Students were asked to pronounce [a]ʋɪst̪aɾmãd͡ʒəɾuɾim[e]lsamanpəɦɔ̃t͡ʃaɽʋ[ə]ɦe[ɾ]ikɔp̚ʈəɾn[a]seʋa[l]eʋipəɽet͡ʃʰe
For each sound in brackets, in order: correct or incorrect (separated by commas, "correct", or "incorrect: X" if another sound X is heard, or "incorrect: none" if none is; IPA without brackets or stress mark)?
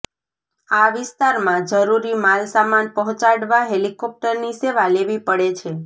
correct, incorrect: a, incorrect: a, incorrect: l, incorrect: i, correct